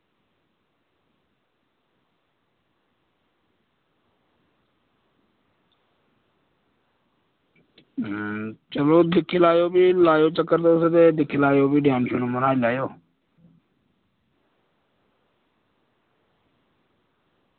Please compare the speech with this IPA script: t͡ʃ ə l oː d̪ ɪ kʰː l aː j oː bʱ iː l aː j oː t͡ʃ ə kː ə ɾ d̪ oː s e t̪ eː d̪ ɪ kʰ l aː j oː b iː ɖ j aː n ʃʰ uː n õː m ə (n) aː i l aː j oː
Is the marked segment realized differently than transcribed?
no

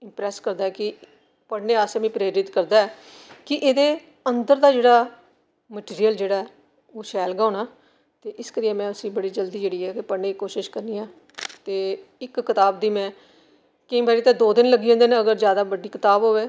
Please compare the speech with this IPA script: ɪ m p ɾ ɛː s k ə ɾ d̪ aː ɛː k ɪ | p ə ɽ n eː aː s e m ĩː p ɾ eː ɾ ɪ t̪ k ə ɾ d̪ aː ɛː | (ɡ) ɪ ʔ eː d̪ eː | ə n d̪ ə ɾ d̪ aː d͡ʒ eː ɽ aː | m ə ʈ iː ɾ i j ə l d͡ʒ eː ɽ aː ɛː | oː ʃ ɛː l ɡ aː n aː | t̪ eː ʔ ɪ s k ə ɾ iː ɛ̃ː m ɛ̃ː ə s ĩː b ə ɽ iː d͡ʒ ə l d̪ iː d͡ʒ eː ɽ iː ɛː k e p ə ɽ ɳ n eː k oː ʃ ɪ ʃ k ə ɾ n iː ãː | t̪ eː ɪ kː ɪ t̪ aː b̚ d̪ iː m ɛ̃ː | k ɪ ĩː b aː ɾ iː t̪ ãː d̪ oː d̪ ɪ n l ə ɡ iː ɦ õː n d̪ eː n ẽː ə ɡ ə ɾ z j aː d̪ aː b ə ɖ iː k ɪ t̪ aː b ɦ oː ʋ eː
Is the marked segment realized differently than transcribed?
yes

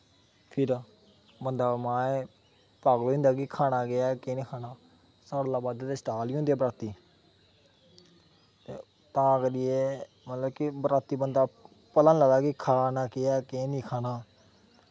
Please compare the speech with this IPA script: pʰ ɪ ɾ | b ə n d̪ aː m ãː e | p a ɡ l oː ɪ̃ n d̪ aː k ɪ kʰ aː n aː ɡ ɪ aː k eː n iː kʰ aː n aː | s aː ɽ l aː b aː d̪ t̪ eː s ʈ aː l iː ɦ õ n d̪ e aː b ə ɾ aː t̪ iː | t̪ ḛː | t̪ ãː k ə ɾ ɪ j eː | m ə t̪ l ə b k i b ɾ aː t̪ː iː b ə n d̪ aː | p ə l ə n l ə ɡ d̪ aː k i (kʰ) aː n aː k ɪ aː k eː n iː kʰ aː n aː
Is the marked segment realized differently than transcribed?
no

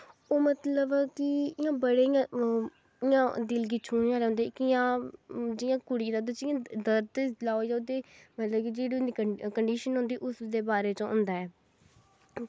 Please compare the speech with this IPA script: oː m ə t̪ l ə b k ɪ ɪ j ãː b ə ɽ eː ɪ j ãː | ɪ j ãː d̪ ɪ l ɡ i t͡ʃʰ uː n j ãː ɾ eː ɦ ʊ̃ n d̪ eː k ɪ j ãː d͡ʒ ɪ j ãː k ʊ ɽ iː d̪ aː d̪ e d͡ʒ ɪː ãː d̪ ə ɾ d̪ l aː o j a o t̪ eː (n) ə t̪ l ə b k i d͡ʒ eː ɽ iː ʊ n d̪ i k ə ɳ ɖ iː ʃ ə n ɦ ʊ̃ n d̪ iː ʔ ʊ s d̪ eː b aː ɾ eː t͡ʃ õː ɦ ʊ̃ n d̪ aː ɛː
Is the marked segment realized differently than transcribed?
yes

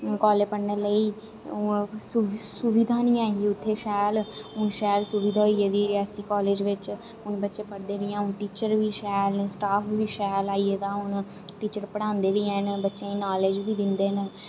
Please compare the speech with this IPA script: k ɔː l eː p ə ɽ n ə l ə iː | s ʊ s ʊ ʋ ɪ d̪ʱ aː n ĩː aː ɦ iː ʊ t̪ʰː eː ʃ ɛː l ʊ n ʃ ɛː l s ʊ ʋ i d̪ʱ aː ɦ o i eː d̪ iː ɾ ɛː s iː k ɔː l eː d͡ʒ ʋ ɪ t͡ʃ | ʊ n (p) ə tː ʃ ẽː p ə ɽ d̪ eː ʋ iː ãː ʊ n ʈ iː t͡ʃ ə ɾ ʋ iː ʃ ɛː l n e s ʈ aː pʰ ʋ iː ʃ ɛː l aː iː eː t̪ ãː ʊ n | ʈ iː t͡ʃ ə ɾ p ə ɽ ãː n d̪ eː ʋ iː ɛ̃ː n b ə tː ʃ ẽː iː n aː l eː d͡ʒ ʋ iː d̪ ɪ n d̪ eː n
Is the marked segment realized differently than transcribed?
yes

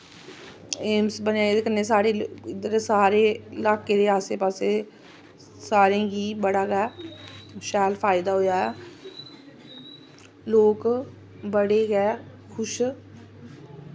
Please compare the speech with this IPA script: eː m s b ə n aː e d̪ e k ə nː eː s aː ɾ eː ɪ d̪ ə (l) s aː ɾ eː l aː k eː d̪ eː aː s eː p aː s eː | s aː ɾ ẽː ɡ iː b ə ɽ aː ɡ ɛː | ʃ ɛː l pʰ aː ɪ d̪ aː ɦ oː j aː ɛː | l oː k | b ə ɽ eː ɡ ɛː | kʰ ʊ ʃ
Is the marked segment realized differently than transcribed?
yes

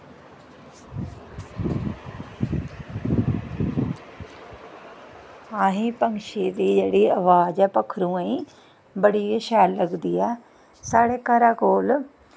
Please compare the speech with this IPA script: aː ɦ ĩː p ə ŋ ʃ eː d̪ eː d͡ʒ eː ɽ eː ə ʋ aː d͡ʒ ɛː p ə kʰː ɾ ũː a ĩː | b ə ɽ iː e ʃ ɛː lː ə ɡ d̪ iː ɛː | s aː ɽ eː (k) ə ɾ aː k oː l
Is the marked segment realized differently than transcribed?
no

